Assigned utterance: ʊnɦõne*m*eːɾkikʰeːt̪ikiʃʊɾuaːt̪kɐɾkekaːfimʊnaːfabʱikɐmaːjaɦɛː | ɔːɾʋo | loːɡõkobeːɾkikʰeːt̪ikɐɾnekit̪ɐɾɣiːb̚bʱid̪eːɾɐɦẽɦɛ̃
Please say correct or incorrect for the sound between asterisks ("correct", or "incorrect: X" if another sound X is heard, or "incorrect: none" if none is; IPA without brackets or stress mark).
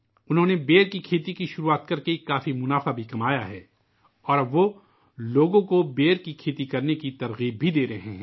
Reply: incorrect: b